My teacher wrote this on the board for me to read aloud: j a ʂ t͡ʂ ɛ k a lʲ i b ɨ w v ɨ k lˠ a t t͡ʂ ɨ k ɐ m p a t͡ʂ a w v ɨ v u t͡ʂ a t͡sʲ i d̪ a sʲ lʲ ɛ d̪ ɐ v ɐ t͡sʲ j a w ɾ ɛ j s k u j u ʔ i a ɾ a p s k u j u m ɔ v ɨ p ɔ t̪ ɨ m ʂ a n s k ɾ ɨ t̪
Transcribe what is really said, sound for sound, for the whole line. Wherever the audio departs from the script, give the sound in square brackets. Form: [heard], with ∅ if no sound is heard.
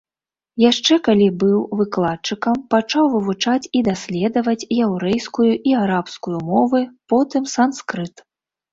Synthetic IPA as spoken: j a ʂ t͡ʂ ɛ k a lʲ i b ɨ w v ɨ k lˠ a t t͡ʂ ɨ k ɐ m p a t͡ʂ a w v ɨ v u t͡ʂ a t͡sʲ i d̪ a sʲ lʲ ɛ d̪ ɐ v ɐ t͡sʲ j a w ɾ ɛ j s k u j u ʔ i a ɾ a p s k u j u m ɔ v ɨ p ɔ t̪ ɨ m [s] a n s k ɾ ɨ t̪